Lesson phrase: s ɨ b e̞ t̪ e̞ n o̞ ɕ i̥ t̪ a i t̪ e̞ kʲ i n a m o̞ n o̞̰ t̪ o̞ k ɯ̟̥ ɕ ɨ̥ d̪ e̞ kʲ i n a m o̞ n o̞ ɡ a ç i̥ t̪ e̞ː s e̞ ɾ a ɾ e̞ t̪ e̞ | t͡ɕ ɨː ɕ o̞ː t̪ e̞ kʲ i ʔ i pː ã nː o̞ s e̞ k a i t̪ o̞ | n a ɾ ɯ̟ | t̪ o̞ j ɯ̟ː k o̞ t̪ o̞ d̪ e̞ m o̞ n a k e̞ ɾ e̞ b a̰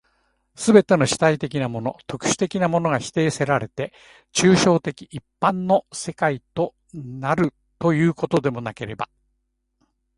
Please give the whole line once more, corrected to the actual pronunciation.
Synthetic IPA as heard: s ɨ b e̞ t̪ e̞ n o̞ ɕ i̥ t̪ a i t̪ e̞ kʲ i n a m o̞ n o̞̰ t̪ o̞ k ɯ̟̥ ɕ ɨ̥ t̪ e̞ kʲ i n a m o̞ n o̞ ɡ a ç i̥ t̪ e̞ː s e̞ ɾ a ɾ e̞ t̪ e̞ | t͡ɕ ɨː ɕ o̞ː t̪ e̞ kʲ i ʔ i pː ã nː o̞ s e̞ k a i t̪ o̞ | n a ɾ ɯ̟ | t̪ o̞ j ɯ̟ː k o̞ t̪ o̞ d̪ e̞ m o̞ n a k e̞ ɾ e̞ b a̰

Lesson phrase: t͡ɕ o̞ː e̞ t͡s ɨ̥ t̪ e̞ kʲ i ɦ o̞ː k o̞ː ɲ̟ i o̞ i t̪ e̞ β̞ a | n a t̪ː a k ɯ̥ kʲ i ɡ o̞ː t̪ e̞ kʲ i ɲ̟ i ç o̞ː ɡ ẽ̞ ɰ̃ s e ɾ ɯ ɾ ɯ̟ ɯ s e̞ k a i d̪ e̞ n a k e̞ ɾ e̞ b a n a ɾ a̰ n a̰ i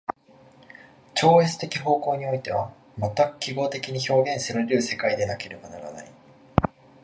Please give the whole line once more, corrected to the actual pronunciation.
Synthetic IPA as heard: t͡ɕ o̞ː e̞ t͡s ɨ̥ t̪ e̞ kʲ i ɦ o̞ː k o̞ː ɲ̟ i o̞ i t̪ e̞ β̞ a | m a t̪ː a k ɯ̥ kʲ i ɡ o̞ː t̪ e̞ kʲ i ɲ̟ i ç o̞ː ɡ ẽ̞ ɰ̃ s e ɾ ɯ ɾ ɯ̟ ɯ s e̞ k a i d̪ e̞ n a k e̞ ɾ e̞ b a n a ɾ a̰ n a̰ i

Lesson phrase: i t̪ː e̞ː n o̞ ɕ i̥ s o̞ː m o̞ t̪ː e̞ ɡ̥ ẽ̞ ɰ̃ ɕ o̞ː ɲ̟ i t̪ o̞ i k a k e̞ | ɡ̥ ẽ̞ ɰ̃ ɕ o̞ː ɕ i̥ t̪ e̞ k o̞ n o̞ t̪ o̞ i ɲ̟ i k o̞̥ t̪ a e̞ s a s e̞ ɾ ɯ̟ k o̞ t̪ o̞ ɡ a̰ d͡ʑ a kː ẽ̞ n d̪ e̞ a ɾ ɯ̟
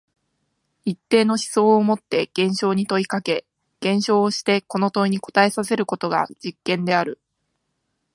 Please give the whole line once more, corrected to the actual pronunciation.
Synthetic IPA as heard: i t̪ː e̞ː n o̞ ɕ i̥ s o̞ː m o̞ t̪ː e̞ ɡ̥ ẽ̞ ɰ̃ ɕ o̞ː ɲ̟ i t̪ o̞ i k a k e̞ | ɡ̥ ẽ̞ ɰ̃ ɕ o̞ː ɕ i̥ t̪ e̞ k o̞ n o̞ t̪ o̞ i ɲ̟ i k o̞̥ t̪ a e̞ s a s e̞ ɾ ɯ̟ k o̞ t̪ o̞ ɡ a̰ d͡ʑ i kː ẽ̞ n d̪ e̞ a ɾ ɯ̟

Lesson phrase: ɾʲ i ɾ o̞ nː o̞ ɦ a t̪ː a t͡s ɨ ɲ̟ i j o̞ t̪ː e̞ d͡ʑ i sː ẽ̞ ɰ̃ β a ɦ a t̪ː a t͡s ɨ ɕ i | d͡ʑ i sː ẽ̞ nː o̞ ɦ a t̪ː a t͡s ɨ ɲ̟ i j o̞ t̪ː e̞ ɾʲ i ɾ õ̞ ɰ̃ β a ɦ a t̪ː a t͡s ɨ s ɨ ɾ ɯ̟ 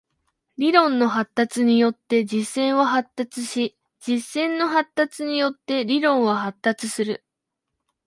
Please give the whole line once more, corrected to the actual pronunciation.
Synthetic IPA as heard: ɾʲ i ɾ õ̞ nː o̞ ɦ a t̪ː a t͡s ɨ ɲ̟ i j o̞ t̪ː e̞ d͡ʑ i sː ẽ̞ ɰ̃ β a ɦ a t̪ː a t͡s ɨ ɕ i | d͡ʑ i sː ẽ̞ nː o̞ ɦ a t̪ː a t͡s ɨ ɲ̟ i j o̞ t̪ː e̞ ɾʲ i ɾ õ̞ ɰ̃ β a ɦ a t̪ː a t͡s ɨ s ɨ ɾ ɯ̟

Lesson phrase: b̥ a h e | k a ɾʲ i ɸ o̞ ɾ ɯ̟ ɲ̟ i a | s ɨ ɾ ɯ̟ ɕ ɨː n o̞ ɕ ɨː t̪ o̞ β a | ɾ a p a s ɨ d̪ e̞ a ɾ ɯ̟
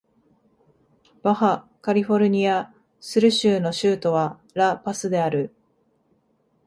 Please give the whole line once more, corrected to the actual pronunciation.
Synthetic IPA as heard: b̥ a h a | k a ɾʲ i ɸ o̞ ɾ ɯ̟ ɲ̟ i a | s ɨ ɾ ɯ̟ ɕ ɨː n o̞ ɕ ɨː t̪ o̞ β a | ɾ a p a s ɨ d̪ e̞ a ɾ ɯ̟

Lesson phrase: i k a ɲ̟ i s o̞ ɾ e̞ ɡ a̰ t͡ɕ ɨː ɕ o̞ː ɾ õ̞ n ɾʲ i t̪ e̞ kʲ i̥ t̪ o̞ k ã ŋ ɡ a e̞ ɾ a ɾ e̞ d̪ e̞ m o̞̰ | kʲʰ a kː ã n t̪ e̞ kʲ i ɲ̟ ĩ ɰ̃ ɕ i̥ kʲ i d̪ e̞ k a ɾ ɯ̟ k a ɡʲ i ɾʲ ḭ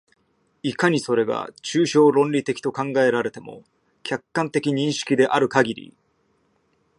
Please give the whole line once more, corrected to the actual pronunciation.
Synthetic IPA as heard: i k a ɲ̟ i s o̞ ɾ e̞ ɡ a̰ t͡ɕ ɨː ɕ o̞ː ɾ õ̞ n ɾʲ i t̪ e̞ kʲ i̥ t̪ o̞ k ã ŋ ɡ a e̞ ɾ a ɾ e̞ t̪ e̞ m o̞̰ | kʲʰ a kː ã n t̪ e̞ kʲ i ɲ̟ ĩ ɰ̃ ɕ i̥ kʲ i d̪ e̞ ʔ a ɾ ɯ̟ k a ɡʲ i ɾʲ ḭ

